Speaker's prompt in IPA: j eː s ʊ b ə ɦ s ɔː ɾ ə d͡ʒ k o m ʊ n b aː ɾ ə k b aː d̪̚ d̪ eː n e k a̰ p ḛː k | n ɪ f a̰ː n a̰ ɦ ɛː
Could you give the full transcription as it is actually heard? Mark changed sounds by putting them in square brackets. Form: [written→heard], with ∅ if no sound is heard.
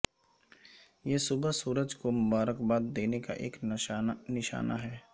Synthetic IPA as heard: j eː s ʊ b ə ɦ s [ɔː→uː] ɾ ə d͡ʒ k o m ʊ [n→∅] b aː ɾ ə k b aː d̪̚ d̪ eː n e k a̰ [p→ʔ] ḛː k | n ɪ [f→ʃ] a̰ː n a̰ ɦ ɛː